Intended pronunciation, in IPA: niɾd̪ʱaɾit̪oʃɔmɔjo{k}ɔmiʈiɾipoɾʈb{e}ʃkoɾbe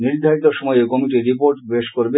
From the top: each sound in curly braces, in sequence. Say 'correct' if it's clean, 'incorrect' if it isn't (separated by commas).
correct, correct